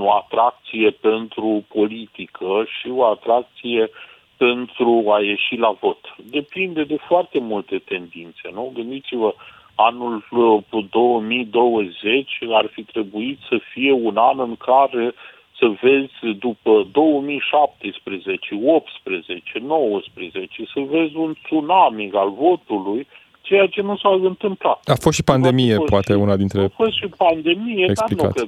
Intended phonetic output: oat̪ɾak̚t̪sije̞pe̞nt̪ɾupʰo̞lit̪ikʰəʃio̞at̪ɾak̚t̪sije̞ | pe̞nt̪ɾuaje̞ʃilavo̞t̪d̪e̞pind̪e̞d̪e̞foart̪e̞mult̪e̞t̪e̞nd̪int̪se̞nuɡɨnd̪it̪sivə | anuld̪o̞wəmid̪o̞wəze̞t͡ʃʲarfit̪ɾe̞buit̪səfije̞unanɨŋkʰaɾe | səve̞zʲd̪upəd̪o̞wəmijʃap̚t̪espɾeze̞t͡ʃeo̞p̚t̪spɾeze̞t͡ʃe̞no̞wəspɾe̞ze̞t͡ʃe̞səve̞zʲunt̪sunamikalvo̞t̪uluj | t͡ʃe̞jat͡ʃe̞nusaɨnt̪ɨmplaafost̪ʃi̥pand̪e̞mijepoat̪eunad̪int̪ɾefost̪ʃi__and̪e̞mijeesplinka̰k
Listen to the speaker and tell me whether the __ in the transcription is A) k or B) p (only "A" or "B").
B